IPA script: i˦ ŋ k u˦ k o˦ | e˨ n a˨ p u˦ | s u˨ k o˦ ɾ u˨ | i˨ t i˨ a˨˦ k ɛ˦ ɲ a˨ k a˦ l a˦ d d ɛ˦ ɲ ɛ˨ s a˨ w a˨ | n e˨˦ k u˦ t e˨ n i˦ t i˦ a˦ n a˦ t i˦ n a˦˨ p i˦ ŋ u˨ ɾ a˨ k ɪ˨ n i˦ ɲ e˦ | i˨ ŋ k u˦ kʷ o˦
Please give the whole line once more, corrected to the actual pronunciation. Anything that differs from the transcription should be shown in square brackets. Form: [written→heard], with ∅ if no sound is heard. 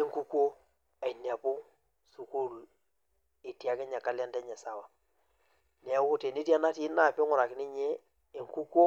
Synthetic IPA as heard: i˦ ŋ k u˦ k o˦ | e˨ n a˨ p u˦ | s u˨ k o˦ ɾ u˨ | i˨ t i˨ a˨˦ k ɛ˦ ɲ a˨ k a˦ l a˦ [d→n] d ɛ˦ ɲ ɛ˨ s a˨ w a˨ | n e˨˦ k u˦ t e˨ n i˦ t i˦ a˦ n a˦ t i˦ n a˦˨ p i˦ ŋ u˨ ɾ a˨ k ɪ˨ n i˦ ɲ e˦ | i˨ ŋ k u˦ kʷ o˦